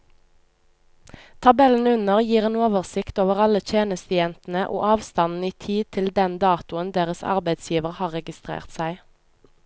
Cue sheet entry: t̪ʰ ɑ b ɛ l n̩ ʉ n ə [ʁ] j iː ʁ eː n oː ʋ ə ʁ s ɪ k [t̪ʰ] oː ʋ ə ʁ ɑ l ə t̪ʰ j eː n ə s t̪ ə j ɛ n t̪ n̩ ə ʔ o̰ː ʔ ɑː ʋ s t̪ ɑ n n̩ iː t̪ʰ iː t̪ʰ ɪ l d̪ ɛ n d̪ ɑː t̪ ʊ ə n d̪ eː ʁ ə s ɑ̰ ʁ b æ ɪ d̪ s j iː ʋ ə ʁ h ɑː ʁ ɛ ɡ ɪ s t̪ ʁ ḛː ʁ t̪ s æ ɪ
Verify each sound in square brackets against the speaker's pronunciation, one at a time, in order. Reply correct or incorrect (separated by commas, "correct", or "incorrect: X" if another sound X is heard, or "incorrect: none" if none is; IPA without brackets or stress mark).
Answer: correct, incorrect: t̪